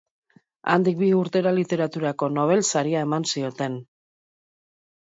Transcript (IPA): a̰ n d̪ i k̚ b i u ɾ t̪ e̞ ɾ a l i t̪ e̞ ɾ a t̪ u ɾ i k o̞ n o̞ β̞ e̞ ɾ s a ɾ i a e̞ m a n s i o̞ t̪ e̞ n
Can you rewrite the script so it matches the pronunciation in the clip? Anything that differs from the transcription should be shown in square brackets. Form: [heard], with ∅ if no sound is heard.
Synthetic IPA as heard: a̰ n d̪ i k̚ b i u ɾ t̪ e̞ ɾ a l i t̪ e̞ ɾ a t̪ u ɾ [a] k o̞ n o̞ β̞ e̞ [l] s a ɾ i a e̞ m a n s i o̞ t̪ e̞ n